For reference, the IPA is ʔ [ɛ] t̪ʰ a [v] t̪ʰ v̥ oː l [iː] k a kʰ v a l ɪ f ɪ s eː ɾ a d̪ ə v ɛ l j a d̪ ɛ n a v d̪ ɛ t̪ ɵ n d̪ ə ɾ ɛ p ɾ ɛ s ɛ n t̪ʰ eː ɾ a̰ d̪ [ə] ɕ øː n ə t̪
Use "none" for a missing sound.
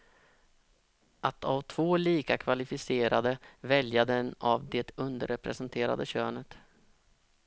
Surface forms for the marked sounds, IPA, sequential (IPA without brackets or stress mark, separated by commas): a, v, iː, ə